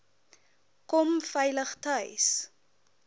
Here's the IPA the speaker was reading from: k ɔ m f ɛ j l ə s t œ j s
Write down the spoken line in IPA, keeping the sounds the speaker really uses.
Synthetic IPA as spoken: k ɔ m f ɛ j l ə χ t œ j s